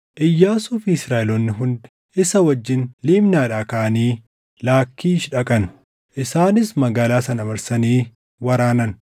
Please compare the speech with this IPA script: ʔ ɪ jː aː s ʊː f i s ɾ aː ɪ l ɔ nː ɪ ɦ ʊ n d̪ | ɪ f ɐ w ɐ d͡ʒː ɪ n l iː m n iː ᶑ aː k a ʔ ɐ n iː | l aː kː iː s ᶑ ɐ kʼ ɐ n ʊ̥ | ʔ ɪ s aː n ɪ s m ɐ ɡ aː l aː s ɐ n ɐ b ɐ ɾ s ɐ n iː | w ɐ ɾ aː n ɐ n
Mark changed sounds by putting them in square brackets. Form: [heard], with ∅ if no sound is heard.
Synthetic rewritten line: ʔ ɪ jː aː s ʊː f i s ɾ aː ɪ l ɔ nː ɪ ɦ ʊ n d̪ | ɪ [s] ɐ w ɐ d͡ʒː ɪ n l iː m n [aː] ᶑ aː k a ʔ ɐ n iː | l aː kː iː [ʃ] ᶑ ɐ kʼ ɐ n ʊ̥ | ʔ ɪ s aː n ɪ s m ɐ ɡ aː l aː s ɐ n ɐ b ɐ ɾ s ɐ n iː | w ɐ ɾ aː n ɐ n